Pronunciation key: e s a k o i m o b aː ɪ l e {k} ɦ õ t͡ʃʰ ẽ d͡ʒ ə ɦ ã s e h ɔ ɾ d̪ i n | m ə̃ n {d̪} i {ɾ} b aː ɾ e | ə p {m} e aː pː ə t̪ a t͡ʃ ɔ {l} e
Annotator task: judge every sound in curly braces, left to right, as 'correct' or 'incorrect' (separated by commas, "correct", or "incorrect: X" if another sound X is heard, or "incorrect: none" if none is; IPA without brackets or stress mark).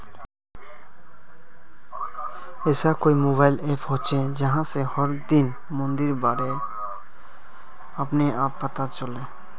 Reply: incorrect: p, correct, correct, incorrect: n, correct